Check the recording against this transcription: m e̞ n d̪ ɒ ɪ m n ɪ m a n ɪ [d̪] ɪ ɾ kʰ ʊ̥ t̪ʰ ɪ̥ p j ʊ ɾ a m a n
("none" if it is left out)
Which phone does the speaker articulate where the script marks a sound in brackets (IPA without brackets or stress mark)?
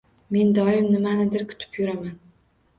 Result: d̪